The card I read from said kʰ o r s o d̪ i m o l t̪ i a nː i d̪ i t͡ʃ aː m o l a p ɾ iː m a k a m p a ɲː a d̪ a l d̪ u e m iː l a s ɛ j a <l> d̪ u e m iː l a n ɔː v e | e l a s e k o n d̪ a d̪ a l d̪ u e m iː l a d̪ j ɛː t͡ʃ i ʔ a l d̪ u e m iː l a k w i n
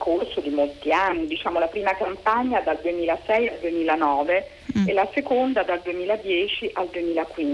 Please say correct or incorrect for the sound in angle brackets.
correct